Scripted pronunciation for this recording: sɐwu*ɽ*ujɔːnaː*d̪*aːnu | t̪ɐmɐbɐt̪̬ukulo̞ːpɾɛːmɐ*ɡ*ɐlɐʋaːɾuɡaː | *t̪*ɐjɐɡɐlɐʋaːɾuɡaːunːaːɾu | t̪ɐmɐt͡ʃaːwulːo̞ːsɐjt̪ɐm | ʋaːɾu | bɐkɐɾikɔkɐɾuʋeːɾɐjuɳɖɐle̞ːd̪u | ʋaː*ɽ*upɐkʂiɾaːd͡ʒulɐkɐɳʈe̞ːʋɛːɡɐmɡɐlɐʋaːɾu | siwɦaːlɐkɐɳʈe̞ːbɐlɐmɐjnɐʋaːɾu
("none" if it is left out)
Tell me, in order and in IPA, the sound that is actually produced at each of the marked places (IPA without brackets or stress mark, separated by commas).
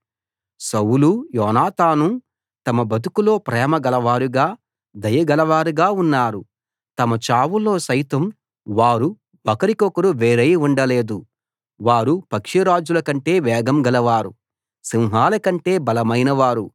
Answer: l, t̪, ɡ, d̪, ɾ